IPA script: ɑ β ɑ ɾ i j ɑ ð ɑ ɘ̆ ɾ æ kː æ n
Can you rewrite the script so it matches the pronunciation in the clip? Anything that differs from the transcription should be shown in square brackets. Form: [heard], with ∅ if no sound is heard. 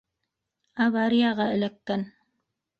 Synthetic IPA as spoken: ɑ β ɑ ɾ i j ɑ [ʁ] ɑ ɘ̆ [l] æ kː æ n